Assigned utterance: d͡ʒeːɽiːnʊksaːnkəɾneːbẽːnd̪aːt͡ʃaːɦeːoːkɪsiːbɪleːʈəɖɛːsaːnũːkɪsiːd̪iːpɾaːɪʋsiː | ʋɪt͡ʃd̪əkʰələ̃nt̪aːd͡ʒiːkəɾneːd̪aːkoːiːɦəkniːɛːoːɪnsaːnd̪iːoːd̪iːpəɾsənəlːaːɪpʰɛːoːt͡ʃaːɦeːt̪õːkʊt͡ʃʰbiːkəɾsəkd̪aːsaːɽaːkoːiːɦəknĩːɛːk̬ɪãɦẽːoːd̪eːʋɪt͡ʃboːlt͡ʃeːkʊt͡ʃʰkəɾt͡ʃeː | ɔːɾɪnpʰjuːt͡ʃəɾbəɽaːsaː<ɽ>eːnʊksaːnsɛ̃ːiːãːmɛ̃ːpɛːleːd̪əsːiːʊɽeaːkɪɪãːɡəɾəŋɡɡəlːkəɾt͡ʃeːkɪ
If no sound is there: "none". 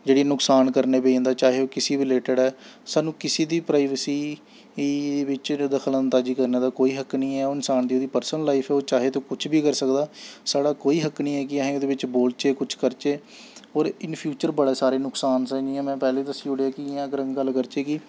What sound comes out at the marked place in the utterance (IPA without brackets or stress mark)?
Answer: ɾ